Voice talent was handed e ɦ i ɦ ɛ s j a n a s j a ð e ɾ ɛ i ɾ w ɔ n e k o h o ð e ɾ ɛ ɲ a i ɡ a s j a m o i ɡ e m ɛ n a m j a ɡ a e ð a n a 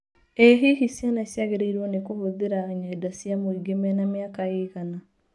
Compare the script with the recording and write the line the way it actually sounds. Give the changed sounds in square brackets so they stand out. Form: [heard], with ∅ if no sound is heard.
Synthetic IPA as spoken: e ɦ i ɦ [i] s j a n a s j a [ɣ] e ɾ [e] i ɾ w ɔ n e k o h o ð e ɾ [a] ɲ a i [d] a s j a m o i ɡ e m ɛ n a m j a [k] a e [ɣ] a n a